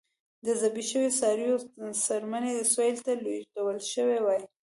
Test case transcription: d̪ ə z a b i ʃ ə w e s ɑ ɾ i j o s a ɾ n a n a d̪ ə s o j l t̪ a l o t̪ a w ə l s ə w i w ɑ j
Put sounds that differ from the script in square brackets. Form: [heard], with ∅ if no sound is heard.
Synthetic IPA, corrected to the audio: d̪ ə z a b i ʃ ə w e s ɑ ɾ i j o s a ɾ [m] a n [e] d̪ ə s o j l t̪ a l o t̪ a w ə l [ʃ] ə w [e] w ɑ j